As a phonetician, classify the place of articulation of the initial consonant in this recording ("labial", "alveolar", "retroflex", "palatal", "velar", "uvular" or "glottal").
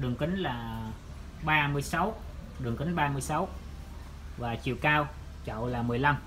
alveolar